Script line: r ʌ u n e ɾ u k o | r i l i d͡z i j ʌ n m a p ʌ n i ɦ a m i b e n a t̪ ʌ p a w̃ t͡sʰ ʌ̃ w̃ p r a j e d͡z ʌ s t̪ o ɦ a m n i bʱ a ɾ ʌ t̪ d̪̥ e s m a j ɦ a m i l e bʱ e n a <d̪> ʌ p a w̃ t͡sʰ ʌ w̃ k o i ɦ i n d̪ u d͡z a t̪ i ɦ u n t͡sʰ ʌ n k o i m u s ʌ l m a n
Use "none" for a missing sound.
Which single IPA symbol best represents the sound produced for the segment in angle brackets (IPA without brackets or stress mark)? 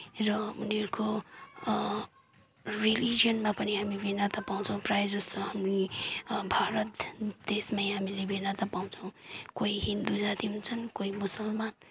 t̪